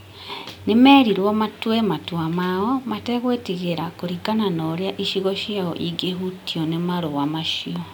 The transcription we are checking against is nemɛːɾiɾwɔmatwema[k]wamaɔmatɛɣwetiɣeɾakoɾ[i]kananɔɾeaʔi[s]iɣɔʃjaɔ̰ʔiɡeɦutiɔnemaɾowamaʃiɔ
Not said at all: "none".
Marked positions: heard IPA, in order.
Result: t, i, ʃ

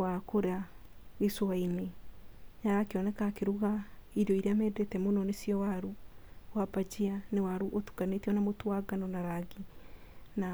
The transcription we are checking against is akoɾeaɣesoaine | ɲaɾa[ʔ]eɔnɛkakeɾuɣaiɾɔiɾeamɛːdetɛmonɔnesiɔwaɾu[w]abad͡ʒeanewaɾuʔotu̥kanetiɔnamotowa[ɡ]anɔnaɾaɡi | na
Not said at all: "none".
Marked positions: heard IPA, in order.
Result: k, w, ɡ

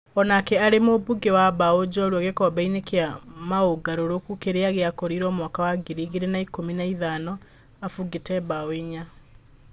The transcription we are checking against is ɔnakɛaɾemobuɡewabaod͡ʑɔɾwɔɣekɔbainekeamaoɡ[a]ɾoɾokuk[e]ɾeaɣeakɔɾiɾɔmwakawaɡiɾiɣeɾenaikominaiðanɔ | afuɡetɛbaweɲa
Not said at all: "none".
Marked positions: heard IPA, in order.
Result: a, e

